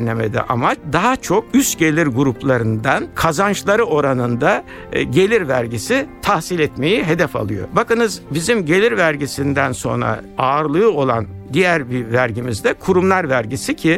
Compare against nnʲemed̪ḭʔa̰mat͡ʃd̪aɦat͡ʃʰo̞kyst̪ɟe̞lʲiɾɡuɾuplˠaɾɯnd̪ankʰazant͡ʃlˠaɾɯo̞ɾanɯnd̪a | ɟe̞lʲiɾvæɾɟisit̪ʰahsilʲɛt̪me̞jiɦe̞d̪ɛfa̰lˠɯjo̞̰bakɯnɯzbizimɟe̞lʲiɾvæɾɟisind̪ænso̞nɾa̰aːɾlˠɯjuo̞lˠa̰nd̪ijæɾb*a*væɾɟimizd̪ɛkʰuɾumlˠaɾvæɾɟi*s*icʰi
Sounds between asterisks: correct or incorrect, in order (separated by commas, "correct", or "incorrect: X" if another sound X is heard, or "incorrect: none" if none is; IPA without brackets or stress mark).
incorrect: i, correct